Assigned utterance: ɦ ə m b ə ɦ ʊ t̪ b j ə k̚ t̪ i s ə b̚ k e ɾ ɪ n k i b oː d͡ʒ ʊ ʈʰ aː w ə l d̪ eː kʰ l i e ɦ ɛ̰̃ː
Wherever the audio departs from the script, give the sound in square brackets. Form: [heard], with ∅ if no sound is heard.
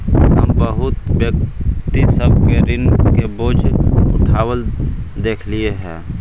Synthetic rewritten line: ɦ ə m b ə ɦ ʊ t̪ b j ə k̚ t̪ i s ə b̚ k e ɾ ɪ n k [e] b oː d͡ʒ ʊ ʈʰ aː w ə l d̪ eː kʰ l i e ɦ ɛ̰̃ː